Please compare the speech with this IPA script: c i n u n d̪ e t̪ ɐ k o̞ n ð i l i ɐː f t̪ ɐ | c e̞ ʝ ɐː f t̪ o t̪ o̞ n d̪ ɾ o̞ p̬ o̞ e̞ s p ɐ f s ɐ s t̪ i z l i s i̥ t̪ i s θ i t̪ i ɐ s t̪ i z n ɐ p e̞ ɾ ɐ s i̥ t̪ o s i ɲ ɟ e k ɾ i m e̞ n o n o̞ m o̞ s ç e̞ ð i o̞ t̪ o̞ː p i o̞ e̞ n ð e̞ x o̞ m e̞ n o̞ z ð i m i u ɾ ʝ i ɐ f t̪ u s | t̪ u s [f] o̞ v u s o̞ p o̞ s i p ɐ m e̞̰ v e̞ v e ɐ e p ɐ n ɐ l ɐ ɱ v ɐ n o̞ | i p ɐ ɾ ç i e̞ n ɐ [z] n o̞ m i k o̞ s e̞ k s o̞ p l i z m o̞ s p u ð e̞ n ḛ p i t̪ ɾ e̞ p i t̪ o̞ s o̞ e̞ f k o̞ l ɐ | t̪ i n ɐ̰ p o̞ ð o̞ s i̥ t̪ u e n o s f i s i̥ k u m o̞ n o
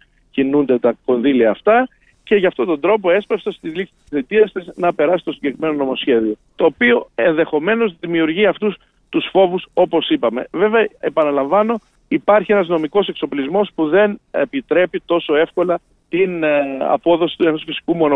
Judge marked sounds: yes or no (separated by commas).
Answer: yes, yes